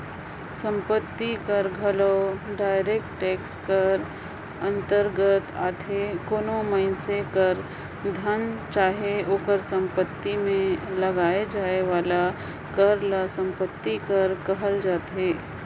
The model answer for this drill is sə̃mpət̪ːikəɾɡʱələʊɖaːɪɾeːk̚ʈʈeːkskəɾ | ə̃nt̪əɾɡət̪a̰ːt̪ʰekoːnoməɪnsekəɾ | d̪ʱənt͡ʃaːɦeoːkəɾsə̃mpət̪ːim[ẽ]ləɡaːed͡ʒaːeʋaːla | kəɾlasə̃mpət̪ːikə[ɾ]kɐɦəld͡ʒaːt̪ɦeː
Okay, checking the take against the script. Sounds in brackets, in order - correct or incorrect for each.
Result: correct, correct

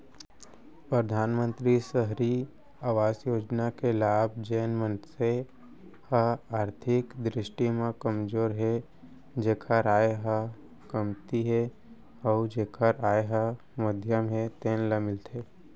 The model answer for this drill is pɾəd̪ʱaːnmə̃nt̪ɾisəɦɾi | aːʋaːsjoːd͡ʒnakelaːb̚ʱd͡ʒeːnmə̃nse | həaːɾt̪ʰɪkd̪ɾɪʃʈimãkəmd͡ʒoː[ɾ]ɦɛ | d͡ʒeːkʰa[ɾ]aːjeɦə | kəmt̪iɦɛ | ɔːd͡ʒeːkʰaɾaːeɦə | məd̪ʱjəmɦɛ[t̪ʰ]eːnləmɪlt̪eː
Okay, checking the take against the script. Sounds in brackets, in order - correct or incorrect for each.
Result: correct, correct, incorrect: t̪

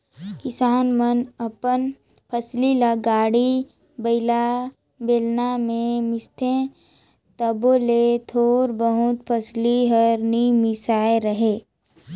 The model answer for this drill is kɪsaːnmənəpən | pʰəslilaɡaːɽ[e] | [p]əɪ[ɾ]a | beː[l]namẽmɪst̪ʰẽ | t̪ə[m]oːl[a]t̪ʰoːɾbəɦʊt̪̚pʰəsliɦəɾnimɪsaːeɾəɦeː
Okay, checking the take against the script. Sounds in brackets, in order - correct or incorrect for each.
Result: incorrect: i, incorrect: b, incorrect: l, correct, incorrect: b, incorrect: e

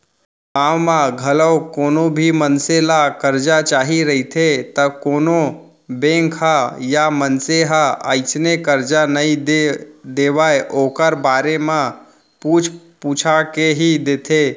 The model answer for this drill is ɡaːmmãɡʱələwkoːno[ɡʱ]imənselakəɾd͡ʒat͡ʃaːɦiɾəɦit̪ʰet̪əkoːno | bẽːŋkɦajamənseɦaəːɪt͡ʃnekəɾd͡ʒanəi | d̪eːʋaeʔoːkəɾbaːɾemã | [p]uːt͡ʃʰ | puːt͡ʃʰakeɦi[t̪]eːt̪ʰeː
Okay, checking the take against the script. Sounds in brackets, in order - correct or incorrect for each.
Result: incorrect: bʱ, correct, incorrect: d̪

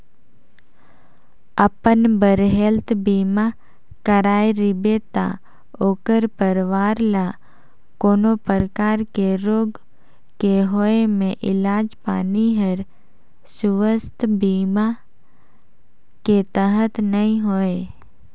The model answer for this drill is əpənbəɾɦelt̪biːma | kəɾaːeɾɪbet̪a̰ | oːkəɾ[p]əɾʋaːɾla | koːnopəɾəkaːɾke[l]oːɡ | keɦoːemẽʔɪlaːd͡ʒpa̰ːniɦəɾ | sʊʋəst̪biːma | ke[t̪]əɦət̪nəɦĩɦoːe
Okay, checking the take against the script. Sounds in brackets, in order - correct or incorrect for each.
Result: correct, incorrect: ɾ, correct

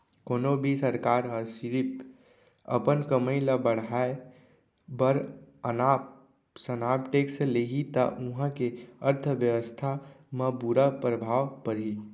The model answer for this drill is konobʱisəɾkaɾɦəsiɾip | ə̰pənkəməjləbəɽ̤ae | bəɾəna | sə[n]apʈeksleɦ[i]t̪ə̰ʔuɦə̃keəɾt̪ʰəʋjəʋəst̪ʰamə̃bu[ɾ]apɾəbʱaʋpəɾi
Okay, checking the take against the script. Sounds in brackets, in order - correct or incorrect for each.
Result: correct, correct, correct

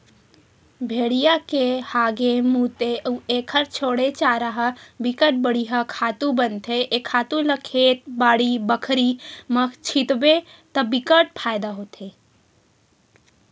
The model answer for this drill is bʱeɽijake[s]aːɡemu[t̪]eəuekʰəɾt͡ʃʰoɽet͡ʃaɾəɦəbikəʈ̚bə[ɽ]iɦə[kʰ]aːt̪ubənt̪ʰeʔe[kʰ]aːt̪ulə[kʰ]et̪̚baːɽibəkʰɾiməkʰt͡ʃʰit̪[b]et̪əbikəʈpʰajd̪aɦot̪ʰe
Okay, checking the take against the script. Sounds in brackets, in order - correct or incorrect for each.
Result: incorrect: h, correct, correct, correct, correct, correct, correct

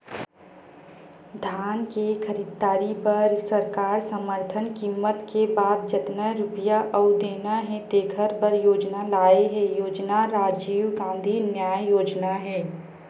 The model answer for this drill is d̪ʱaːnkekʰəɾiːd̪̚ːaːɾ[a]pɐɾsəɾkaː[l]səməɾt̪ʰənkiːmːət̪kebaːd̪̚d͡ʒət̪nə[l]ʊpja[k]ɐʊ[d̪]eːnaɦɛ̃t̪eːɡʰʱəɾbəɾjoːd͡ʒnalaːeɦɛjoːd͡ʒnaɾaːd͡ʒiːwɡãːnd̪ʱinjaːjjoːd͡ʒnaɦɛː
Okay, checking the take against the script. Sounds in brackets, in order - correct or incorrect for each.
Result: incorrect: i, incorrect: ɾ, incorrect: ɾ, incorrect: ʔ, correct

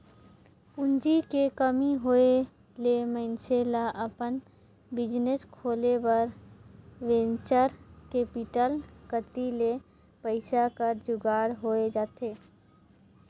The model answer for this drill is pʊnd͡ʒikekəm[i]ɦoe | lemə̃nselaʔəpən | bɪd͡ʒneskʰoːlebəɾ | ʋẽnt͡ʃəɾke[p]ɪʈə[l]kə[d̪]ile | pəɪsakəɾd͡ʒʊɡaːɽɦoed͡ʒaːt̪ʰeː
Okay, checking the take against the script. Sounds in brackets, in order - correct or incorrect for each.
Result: correct, correct, correct, incorrect: t̪

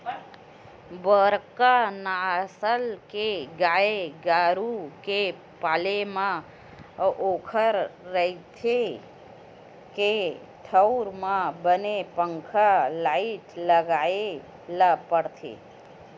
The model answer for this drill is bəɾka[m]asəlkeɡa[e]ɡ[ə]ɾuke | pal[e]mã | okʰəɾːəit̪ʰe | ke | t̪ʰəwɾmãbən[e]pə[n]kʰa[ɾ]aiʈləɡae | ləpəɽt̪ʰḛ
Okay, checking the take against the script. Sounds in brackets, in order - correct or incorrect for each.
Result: incorrect: n, correct, incorrect: a, correct, correct, incorrect: ŋ, incorrect: l

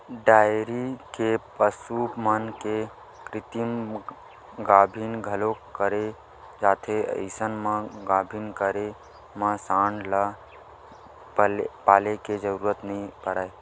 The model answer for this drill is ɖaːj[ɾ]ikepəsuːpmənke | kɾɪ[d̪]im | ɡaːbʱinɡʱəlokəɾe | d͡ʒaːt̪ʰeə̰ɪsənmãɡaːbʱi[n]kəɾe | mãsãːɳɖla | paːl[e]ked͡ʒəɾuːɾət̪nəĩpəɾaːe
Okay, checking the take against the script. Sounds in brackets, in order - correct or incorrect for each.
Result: correct, incorrect: t̪, correct, correct

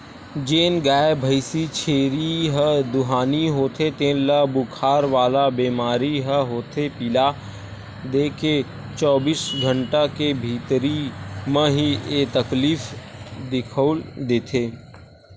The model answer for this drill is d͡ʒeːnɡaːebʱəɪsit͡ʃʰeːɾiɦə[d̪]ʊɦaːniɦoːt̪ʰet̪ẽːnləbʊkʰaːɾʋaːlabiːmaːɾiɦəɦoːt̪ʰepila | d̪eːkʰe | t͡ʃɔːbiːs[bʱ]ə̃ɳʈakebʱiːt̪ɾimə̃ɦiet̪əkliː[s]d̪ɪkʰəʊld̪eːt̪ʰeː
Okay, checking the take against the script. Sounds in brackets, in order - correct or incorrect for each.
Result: correct, incorrect: ɡʱ, incorrect: f

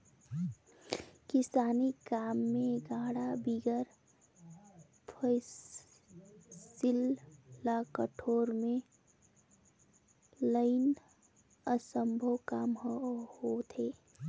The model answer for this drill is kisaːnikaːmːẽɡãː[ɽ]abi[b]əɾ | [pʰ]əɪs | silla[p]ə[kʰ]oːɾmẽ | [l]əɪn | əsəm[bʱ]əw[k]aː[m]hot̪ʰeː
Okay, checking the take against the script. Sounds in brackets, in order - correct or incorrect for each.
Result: correct, incorrect: ɡ, correct, incorrect: k, incorrect: ʈʰ, correct, correct, correct, correct

